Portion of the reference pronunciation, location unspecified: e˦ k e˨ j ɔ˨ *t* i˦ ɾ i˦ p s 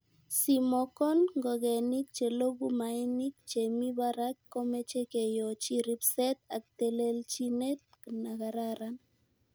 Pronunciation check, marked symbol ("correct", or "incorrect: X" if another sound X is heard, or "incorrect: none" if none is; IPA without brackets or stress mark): incorrect: t͡ʃ